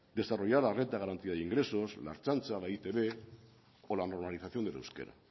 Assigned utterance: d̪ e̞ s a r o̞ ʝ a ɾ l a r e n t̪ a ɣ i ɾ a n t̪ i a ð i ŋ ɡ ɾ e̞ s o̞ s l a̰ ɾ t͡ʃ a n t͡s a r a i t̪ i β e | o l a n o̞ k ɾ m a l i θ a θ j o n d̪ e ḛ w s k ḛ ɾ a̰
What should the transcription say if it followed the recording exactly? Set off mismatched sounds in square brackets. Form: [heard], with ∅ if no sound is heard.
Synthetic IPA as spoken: d̪ e̞ s a r o̞ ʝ a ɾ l a r e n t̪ a ɣ [a] ɾ a n t̪ i a ð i ŋ ɡ ɾ e̞ s o̞ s l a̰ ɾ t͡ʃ a n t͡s a [l] a i t̪ [e] β e | o l a n o̞ [∅] ɾ m a l i θ a θ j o n d̪ e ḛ w s k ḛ ɾ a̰